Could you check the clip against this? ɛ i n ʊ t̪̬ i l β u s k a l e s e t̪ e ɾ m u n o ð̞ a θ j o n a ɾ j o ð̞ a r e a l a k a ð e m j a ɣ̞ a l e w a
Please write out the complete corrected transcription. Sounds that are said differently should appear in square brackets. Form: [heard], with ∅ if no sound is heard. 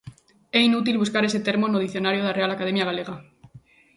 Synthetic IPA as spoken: ɛ i n [u] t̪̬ i l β u s k a [ɾ] e s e t̪ e ɾ m [o] n o ð̞ [i] θ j o n a ɾ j o ð̞ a r e a l a k a ð e m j a ɣ̞ a l e [ɣ] a